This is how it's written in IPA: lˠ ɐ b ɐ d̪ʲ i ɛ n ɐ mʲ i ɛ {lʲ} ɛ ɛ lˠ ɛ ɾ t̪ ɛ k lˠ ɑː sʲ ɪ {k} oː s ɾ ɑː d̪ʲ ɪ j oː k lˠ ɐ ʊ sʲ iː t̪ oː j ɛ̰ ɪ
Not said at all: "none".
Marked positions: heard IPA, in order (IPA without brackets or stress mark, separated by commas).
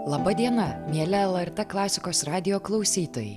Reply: lʲ, k